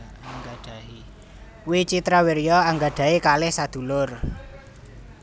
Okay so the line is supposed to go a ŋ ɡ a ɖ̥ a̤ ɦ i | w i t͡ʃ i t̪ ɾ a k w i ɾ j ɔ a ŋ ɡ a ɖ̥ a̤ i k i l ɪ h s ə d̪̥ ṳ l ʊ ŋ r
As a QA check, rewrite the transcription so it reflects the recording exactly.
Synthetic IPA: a ŋ ɡ a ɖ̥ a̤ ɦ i | w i t͡ʃ i t̪ ɾ a w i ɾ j ɔ a ŋ ɡ a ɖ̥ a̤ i k a l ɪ h s a d̪̥ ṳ l ʊ r